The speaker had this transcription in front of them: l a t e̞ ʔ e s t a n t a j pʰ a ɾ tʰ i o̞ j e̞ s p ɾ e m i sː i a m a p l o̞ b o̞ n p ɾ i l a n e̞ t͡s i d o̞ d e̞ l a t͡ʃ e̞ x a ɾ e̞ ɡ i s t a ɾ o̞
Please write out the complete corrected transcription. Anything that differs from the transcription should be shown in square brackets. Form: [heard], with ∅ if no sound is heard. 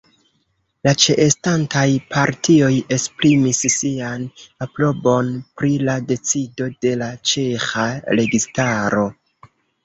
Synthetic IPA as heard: l a [t͡ʃ] e̞ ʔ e s t a n t a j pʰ a ɾ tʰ i o̞ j e̞ s p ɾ [i] m i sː i a [n] a p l o̞ b o̞ n p ɾ i l a [d] e̞ t͡s i d o̞ d e̞ l a t͡ʃ e̞ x a ɾ e̞ ɡ i s t a ɾ o̞

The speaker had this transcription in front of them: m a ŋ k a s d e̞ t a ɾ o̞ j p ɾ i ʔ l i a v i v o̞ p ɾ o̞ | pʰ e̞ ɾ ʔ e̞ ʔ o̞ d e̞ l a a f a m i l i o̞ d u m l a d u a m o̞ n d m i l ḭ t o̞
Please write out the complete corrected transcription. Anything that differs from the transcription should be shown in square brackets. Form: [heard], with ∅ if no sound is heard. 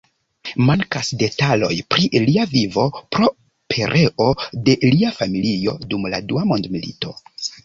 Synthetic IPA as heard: m a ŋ k a s d e̞ t a [l] o̞ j p ɾ i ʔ l i a v i v o̞ p ɾ o̞ | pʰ e̞ ɾ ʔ e̞ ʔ o̞ d e̞ l [i] a f a m i l i o̞ d u m l a d u a m o̞ n d m i l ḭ t o̞

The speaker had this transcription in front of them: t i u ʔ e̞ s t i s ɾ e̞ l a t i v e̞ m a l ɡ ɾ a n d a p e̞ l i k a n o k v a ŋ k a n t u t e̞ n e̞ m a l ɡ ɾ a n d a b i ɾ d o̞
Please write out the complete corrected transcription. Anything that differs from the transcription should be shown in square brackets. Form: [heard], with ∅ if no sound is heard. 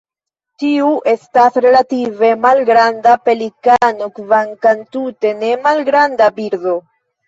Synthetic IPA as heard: t i u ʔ e̞ s t [a] s ɾ e̞ l a t i v e̞ m a l ɡ ɾ a n d a p e̞ l i k a n o k v a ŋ k a n t u t e̞ n e̞ m a l ɡ ɾ a n d a b i ɾ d o̞

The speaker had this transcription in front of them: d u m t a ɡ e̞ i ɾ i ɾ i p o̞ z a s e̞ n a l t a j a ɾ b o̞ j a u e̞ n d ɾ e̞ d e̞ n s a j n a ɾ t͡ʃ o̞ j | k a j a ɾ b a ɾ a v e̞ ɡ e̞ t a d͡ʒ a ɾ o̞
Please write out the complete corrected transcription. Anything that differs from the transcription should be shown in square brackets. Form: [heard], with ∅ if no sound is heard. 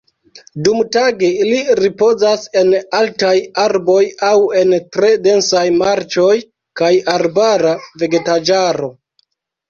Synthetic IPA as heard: d u m t a ɡ e̞ i [l] i ɾ i p o̞ z a s e̞ n a l t a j a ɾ b o̞ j a [w] e̞ n [t] ɾ e̞ d e̞ n s a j [m] a ɾ t͡ʃ o̞ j | k a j a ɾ b a ɾ a v e̞ ɡ e̞ t a d͡ʒ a ɾ o̞

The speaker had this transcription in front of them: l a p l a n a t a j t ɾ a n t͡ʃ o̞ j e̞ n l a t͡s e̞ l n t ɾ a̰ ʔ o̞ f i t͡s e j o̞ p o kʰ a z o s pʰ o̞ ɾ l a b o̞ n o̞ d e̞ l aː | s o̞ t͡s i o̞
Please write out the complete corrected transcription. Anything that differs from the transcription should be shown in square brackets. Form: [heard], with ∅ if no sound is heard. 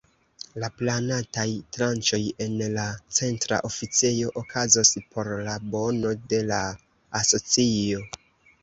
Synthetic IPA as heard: l a p l a n a t a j t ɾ a n t͡ʃ o̞ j e̞ n l a t͡s e̞ [∅] n t ɾ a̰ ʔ o̞ f i t͡s e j o̞ [ʔ] o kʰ a z o s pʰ o̞ ɾ l a b o̞ n o̞ d e̞ l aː | s o̞ t͡s i o̞

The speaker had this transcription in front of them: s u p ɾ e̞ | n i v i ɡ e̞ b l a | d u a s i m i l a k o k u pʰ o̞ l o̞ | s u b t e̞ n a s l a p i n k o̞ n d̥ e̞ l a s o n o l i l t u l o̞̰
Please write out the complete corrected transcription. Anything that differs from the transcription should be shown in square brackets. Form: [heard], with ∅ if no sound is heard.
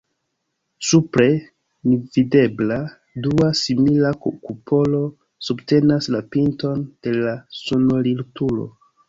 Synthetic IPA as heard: s u p ɾ e̞ | n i v i [d] e̞ b l a | d u a s i m i l a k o k u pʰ o̞ l o̞ | s u b t e̞ n a s l a p i n [t] o̞ n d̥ e̞ l a s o n o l i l t u l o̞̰

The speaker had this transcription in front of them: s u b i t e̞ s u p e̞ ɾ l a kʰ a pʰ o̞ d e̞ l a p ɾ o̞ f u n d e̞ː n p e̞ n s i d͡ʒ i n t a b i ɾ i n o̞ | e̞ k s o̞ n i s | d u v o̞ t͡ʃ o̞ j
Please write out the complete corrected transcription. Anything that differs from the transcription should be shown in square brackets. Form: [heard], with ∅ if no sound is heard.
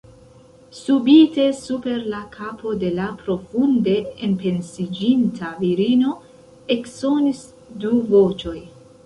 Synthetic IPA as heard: s u b i t e̞ s u p e̞ ɾ l a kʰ a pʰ o̞ d e̞ l a p ɾ o̞ f u n d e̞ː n p e̞ n s i d͡ʒ i n t a [v] i ɾ i n o̞ | e̞ k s o̞ n i s | d u v o̞ t͡ʃ o̞ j

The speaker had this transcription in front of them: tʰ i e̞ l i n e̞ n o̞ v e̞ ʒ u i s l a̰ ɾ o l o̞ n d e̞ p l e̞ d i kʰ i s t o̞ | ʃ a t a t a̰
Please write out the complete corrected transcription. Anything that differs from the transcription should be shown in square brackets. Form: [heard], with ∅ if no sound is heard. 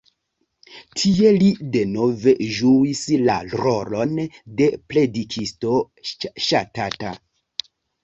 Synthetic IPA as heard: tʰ i e̞ l i [d] e̞ n o̞ v e̞ ʒ u i s l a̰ ɾ o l o̞ n d e̞ p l e̞ d i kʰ i s t o̞ | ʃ a t a t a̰

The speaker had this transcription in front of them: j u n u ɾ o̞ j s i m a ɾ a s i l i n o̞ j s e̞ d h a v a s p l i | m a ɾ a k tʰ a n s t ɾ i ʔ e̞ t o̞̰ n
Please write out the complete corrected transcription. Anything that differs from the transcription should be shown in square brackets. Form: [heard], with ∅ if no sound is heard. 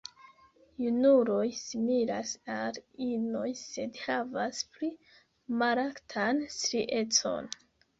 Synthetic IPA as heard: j u n u ɾ o̞ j s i m [i] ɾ a s [a] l i n o̞ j s e̞ d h a v a s p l i | m a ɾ a k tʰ a n s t ɾ i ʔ e̞ [t͡s] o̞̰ n

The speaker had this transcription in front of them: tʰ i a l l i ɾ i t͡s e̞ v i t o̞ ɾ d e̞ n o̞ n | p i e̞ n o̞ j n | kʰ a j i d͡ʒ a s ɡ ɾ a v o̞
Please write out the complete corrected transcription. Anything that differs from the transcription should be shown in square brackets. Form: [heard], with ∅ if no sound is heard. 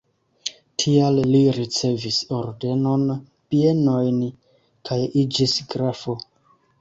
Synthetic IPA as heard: tʰ i a l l i ɾ i t͡s e̞ v i [s] o̞ ɾ d e̞ n o̞ n | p i e̞ n o̞ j n | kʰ a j i d͡ʒ [i] s ɡ ɾ a [f] o̞

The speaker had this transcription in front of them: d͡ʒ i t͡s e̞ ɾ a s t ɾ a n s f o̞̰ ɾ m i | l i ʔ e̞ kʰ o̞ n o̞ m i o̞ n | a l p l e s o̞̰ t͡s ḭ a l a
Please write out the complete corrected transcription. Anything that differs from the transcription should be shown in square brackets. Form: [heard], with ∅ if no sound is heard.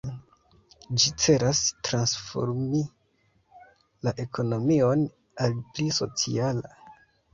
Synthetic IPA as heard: d͡ʒ i t͡s e̞ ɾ a s t ɾ a n s f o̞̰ ɾ m i | l [a] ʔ e̞ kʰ o̞ n o̞ m i o̞ n | a l p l [i] s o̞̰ t͡s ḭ a l a

